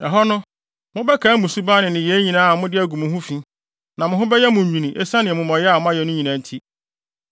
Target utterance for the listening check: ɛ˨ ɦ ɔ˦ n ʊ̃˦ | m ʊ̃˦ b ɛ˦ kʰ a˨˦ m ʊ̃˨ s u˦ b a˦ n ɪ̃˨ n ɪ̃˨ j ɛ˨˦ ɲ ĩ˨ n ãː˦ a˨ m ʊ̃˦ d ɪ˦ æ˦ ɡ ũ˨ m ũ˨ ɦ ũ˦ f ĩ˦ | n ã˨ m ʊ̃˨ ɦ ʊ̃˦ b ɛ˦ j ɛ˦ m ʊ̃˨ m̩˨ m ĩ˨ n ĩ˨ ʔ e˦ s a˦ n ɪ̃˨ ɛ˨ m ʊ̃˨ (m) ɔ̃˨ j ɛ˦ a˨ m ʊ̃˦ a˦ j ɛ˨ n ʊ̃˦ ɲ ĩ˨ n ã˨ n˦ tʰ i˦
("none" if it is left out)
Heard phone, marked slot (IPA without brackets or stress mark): m